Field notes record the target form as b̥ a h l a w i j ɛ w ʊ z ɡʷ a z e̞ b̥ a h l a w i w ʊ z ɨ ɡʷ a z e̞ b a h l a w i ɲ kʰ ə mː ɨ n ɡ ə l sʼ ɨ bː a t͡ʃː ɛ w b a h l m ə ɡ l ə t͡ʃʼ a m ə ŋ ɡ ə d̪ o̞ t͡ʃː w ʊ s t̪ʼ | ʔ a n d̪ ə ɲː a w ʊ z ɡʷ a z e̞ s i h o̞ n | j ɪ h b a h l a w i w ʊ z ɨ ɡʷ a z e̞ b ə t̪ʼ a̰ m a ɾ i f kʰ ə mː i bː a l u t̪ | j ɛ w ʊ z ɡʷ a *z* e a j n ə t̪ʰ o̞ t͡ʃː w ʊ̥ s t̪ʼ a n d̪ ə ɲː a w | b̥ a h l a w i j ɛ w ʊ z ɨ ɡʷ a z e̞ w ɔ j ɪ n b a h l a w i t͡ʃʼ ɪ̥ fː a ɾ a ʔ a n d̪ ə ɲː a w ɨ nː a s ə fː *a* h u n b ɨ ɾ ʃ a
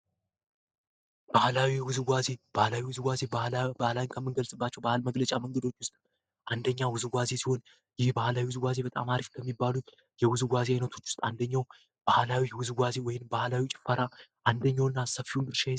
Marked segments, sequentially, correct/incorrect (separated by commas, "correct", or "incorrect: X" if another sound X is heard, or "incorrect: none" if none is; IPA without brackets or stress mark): correct, incorrect: i